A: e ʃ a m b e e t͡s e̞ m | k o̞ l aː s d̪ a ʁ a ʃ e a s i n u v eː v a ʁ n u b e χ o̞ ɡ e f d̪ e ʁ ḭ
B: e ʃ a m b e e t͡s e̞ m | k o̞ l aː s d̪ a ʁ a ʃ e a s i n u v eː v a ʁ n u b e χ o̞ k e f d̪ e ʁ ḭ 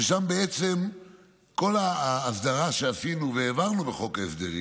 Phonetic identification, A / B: B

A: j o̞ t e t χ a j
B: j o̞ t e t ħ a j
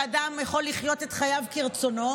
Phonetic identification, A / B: A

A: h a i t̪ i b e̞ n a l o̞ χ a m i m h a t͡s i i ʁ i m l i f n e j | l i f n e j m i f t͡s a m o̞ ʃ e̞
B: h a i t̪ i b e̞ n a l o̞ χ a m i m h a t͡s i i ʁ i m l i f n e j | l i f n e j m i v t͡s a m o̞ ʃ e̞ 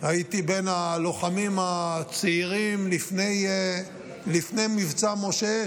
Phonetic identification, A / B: B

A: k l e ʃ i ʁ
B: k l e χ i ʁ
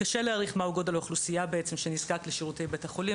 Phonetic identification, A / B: A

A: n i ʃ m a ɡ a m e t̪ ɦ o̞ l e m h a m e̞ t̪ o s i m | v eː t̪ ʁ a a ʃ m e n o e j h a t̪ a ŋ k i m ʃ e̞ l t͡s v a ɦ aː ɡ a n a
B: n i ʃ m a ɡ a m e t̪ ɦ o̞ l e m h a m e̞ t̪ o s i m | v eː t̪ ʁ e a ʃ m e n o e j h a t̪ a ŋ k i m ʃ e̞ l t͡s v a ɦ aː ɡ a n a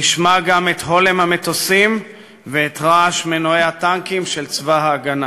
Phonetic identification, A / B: A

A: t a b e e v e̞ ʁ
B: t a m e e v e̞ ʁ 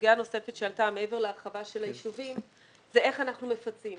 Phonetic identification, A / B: B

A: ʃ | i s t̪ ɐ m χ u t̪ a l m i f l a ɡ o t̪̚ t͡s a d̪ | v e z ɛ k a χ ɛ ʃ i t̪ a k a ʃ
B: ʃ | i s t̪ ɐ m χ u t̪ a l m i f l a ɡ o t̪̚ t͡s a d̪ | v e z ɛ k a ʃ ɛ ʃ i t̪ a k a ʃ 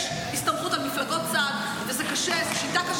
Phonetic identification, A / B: B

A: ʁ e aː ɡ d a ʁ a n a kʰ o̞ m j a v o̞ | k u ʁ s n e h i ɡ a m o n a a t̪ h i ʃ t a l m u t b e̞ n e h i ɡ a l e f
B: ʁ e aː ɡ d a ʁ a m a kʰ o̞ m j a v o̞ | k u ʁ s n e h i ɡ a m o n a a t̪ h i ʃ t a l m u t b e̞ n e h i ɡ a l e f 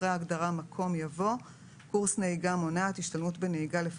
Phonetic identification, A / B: B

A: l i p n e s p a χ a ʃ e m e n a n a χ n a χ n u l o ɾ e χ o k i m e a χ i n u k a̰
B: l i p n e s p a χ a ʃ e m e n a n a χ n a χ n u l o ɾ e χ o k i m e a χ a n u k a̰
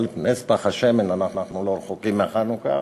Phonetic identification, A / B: B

